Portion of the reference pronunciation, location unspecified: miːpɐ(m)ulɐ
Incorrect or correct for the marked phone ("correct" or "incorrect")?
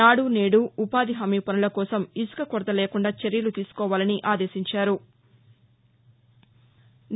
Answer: incorrect